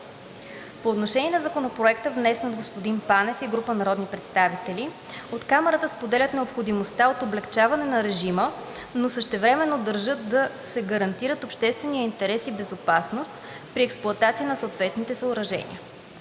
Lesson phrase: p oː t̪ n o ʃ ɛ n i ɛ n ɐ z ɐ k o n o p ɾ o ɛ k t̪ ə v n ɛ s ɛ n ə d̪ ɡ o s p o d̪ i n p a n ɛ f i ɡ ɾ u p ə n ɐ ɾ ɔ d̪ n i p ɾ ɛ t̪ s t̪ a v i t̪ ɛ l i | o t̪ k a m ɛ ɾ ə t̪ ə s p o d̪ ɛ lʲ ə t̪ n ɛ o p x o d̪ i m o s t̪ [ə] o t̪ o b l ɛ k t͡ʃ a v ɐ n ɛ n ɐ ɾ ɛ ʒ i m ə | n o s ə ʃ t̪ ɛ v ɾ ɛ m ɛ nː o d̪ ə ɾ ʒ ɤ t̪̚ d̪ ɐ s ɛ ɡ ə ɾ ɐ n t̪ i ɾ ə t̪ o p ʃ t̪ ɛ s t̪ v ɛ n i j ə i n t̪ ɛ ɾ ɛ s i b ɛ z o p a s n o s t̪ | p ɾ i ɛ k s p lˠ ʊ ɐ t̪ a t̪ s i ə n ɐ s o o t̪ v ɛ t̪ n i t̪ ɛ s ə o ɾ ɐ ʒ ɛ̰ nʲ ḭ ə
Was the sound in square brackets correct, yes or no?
no